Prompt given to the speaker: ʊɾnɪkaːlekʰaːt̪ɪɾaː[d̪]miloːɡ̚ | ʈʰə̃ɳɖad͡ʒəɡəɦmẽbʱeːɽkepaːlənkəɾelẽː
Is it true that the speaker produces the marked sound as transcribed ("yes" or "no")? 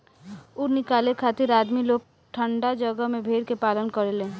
yes